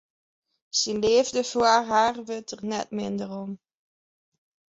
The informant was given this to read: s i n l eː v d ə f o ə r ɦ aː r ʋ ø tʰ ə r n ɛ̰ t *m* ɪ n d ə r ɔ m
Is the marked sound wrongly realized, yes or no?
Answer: no